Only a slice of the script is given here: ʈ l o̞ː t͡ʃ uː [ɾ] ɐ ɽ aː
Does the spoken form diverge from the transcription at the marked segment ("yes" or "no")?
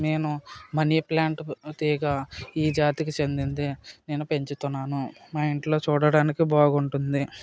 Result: yes